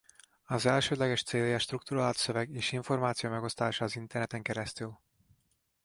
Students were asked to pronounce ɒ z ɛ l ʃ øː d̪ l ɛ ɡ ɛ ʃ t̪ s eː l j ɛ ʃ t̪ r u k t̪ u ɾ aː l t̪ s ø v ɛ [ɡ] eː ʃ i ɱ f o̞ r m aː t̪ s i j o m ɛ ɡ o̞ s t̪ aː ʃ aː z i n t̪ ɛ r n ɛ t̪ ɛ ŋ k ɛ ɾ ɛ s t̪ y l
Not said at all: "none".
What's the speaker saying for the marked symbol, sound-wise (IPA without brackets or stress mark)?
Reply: ɡ